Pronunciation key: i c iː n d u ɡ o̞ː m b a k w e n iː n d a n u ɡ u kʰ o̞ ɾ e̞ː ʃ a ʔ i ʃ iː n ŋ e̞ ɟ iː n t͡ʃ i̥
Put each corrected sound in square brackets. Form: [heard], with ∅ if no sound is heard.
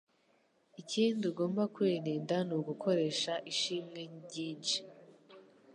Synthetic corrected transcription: i c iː n d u ɡ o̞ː m b a k w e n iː n d a n u ɡ u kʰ o̞ ɾ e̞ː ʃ a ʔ i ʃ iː [m] ŋ e̞ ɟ iː n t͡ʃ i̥